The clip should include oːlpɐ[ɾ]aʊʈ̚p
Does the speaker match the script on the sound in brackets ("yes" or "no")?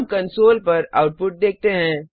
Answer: yes